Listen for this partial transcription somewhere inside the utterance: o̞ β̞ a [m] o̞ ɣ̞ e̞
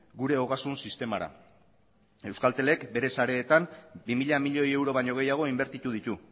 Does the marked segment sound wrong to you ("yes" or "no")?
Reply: yes